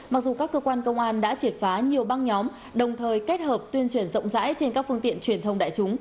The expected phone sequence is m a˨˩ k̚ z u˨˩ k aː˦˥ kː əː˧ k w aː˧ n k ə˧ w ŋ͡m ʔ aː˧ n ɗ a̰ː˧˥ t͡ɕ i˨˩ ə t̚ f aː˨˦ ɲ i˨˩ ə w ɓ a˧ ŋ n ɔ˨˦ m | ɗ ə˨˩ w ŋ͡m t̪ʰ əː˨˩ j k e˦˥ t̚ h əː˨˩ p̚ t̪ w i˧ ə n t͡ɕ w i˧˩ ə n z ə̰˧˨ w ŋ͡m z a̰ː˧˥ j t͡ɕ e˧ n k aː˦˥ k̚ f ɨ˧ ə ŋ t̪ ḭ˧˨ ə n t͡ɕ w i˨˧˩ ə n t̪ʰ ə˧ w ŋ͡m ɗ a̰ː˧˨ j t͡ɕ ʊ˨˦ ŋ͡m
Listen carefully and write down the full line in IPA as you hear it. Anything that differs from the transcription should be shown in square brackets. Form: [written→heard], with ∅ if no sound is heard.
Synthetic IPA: m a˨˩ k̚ z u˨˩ k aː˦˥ kː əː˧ k w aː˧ n k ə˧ w ŋ͡m ʔ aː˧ n ɗ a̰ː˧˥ t͡ɕ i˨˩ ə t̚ f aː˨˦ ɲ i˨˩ ə w ɓ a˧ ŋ [n→ɲ] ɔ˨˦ m | ɗ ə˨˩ w ŋ͡m t̪ʰ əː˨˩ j k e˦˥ t̚ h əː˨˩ p̚ t̪ w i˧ ə n t͡ɕ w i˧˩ ə n z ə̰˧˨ w ŋ͡m z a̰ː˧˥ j t͡ɕ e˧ n k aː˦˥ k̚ f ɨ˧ ə ŋ t̪ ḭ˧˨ ə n t͡ɕ w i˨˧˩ ə n t̪ʰ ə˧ w ŋ͡m ɗ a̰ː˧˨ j t͡ɕ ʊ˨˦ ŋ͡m